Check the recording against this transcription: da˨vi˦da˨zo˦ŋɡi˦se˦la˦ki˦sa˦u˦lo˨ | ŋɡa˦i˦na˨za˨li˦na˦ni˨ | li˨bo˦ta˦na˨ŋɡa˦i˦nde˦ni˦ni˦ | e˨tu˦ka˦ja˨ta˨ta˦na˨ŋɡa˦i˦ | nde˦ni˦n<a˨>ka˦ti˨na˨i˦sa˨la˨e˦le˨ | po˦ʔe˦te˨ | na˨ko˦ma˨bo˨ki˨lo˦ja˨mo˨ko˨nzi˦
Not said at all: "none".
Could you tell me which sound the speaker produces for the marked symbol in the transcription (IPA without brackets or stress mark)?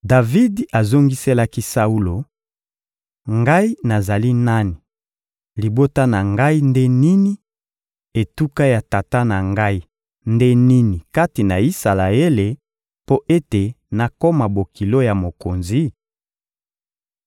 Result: i˨